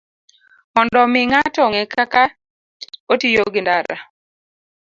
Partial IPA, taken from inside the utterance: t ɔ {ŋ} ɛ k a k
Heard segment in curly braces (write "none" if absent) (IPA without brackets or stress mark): ŋ